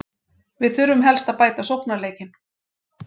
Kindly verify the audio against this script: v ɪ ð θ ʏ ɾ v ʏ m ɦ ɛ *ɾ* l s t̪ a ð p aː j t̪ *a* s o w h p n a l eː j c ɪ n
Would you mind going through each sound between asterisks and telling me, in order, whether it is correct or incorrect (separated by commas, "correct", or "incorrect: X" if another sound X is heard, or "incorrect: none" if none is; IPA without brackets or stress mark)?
incorrect: none, correct